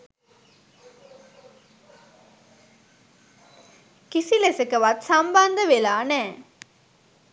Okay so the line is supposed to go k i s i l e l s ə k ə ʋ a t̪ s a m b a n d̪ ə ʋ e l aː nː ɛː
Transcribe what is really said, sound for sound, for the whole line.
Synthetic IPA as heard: k i s i l e s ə k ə ʋ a t̪ s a m b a n d̪ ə ʋ e l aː n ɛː